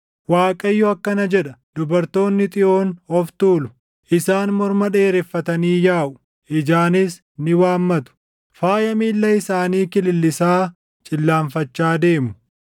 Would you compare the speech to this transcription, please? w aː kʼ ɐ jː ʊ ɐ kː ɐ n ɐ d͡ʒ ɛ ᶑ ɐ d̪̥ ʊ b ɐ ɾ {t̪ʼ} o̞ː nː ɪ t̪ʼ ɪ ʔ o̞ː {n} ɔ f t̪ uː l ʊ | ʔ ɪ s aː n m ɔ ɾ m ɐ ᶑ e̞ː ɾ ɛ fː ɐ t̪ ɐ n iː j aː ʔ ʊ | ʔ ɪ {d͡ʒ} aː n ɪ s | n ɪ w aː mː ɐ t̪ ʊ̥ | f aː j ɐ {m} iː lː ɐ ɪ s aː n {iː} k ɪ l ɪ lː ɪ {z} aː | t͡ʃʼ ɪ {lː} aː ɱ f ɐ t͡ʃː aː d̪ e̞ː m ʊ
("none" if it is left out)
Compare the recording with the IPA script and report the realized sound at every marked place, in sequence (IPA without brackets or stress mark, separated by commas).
t̪, n, d͡ʒ, m, iː, s, lː